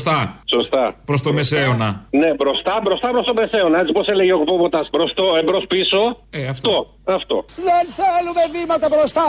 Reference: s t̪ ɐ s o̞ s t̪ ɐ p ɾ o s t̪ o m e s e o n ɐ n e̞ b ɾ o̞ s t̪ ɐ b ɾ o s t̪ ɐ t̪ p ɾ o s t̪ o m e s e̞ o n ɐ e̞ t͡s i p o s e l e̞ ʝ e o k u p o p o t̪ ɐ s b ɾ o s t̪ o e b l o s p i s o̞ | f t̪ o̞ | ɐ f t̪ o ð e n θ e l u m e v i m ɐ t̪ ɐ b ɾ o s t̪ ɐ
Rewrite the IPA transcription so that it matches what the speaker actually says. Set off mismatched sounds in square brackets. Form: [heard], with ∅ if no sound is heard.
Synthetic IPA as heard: s t̪ ɐ s o̞ s t̪ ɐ p ɾ o s t̪ o m e s e o n ɐ n e̞ b ɾ o̞ s t̪ ɐ b ɾ o s t̪ ɐ [∅] p ɾ o s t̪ o m e s e̞ o n ɐ e̞ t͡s i p o s e l e̞ ʝ e o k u p o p o t̪ ɐ s b ɾ o s t̪ o e b [ɾ] o s p i s o̞ | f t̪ o̞ | ɐ f t̪ o ð e n θ e l u m e v i m ɐ t̪ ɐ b ɾ o s t̪ ɐ